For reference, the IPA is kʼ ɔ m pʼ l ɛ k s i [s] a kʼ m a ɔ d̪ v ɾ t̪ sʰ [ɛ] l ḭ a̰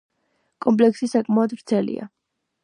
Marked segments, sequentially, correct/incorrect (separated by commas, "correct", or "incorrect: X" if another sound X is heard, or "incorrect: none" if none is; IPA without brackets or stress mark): correct, correct